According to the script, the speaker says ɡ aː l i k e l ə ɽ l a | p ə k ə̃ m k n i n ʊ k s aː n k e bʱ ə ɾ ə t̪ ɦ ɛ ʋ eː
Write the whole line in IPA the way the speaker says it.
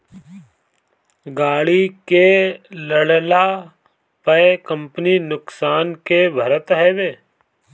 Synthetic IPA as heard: ɡ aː ɽ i k e l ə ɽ l a | p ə k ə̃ m p n i n ʊ k s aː n k e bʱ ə ɾ ə t̪ ɦ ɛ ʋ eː